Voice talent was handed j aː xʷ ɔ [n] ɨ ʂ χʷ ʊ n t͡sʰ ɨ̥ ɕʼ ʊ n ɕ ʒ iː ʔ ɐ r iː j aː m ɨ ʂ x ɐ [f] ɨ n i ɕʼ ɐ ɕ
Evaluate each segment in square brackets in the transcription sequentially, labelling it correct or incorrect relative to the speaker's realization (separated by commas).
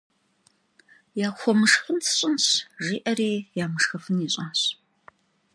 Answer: incorrect, correct